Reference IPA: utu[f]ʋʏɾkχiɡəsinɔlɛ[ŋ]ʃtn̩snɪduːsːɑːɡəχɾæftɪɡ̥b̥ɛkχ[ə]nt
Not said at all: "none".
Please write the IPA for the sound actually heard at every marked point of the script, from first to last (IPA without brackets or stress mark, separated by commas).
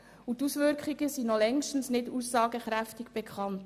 s, ŋ, ɑ